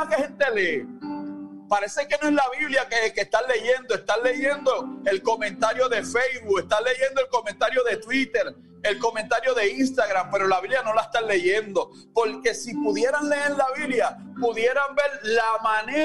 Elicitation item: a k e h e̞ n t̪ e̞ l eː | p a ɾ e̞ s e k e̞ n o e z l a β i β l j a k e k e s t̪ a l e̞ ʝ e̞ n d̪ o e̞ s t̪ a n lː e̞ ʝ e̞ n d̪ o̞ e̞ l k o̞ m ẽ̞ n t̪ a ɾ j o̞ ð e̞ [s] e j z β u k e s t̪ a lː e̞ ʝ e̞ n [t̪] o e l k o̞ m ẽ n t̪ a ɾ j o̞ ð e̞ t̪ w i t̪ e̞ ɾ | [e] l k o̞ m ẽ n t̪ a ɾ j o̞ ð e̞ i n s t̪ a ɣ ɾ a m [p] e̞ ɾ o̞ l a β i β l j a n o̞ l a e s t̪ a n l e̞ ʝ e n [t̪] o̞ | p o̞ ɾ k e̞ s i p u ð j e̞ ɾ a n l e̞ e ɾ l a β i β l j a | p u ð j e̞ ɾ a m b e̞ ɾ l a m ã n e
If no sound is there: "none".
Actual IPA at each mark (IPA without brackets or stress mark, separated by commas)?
f, d̪, e, p, d̪